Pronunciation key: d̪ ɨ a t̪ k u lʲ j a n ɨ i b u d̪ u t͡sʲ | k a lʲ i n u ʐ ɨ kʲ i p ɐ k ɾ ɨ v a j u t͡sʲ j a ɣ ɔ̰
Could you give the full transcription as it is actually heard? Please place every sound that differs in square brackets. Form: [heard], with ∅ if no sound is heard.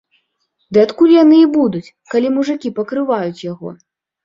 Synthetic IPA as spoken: d̪ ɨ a t̪ k u lʲ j a n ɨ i b u d̪ u t͡sʲ | k a lʲ i [m] u ʐ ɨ kʲ i p ɐ k ɾ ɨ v a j u t͡sʲ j a ɣ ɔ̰